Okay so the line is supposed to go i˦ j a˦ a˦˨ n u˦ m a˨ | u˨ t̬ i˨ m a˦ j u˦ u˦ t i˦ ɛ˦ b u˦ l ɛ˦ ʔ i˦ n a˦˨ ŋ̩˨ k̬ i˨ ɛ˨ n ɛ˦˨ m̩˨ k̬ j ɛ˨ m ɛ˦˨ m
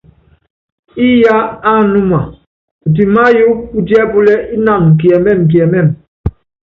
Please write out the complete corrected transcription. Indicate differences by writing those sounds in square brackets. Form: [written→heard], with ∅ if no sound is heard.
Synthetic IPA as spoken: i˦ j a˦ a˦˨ n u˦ m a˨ | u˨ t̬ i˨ m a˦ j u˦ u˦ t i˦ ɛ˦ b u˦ l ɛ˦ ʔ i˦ n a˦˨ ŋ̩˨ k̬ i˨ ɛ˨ [n→m] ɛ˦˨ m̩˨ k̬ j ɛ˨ m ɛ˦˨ m